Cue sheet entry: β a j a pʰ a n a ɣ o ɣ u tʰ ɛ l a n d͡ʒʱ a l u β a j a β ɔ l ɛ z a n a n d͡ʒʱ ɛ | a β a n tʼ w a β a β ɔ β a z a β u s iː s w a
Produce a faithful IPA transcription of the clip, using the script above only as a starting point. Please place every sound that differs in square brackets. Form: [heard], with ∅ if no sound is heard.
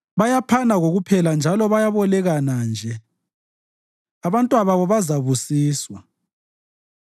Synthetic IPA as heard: β a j a pʰ a n a ɣ o ɣ u [pʰ] ɛ l a n d͡ʒʱ a l [ɔ] β a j a β ɔ l ɛ [ɣ] a n a n d͡ʒʱ ɛ | a β a n tʼ w a β a β ɔ β a z a β u s iː s w a